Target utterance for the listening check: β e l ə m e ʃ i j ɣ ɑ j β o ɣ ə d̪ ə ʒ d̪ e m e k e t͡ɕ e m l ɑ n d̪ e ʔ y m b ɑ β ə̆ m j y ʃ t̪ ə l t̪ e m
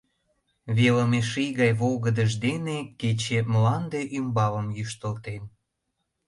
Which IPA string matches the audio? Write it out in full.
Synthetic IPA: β e l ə m e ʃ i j ɣ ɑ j β o ɣ ə d̪ ə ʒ d̪ e n e k e t͡ɕ e m l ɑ n d̪ e ʔ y m b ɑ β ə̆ m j y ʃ t̪ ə l t̪ e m